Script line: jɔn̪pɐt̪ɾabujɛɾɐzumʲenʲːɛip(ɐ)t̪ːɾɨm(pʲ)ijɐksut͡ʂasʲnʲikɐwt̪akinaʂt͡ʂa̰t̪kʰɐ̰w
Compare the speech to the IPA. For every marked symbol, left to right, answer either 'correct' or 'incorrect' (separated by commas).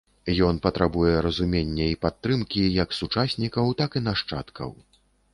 incorrect, incorrect